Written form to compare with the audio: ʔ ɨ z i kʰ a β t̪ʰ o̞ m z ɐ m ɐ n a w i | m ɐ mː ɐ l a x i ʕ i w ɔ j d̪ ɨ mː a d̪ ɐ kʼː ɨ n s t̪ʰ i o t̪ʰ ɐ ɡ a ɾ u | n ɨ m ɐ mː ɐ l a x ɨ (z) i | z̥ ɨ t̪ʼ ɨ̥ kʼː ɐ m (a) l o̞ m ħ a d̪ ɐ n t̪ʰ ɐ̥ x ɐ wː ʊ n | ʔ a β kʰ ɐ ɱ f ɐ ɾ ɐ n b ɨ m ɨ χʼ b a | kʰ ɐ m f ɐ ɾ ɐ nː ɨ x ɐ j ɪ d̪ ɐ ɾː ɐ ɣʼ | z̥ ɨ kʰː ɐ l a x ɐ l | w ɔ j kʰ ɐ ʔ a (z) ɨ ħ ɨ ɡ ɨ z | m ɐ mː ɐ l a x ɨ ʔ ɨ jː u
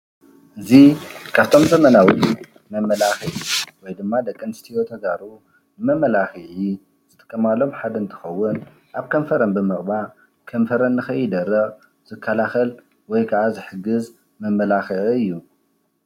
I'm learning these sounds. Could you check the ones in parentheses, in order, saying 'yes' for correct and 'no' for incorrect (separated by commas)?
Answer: no, yes, yes